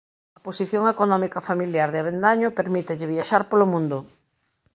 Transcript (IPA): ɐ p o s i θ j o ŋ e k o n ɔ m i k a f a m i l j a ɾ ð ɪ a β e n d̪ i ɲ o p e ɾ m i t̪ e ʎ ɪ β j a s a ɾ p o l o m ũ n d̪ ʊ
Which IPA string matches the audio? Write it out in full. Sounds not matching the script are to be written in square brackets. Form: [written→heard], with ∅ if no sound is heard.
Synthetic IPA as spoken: ɐ p o s i θ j o ŋ e k o n ɔ m i k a f a m i l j a ɾ ð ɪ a β e n d̪ [i→a] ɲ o p e ɾ m i t̪ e ʎ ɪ β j a [s→ʃ] a ɾ p o l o m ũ n d̪ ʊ